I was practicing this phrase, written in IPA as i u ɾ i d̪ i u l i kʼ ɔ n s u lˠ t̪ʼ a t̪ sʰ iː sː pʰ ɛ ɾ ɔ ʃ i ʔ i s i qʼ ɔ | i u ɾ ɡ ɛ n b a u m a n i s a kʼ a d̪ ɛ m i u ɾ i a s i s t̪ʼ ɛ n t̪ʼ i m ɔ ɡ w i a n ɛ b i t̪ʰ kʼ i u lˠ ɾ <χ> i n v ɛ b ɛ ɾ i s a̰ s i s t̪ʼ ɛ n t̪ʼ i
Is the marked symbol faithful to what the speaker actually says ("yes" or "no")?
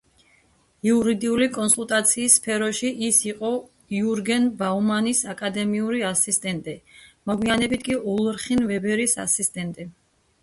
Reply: yes